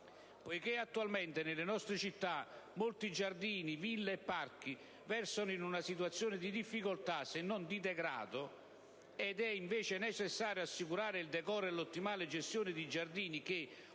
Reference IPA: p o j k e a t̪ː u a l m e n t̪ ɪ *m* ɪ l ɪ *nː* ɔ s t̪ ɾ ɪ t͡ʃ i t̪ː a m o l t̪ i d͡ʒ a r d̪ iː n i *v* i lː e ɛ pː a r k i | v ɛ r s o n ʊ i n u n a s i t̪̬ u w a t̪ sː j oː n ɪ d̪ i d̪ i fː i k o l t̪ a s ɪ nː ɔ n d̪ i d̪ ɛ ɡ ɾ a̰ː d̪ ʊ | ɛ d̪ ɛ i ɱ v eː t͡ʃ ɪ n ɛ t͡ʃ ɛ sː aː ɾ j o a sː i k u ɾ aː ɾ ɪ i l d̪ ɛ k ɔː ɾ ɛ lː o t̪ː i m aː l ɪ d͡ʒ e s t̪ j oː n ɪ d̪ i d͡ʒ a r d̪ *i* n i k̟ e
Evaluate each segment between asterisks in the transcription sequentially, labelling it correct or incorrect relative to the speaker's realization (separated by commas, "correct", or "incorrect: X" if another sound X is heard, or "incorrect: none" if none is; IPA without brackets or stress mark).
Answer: incorrect: n, incorrect: n, correct, incorrect: iː